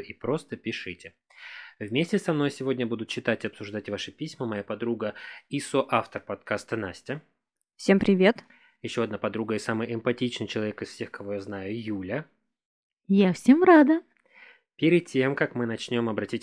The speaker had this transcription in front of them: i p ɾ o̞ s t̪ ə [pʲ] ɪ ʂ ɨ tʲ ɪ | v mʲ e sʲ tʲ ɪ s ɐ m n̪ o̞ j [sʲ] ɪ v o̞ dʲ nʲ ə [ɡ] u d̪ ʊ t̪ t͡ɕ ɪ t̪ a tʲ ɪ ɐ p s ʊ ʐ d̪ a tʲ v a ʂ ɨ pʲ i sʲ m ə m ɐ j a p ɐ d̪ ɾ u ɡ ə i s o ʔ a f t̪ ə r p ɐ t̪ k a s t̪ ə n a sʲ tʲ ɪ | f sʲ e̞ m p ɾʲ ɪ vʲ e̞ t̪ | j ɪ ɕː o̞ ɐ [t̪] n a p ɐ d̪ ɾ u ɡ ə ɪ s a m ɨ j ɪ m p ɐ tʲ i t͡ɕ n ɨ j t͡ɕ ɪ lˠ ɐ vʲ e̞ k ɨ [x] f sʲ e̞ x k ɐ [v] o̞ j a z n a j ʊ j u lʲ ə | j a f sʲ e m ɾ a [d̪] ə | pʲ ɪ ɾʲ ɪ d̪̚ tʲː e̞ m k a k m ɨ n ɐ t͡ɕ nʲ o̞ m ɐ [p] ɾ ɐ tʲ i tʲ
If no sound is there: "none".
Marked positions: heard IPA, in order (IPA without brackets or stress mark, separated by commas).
pʲ, sʲ, b, d̪, s, v, d̪, b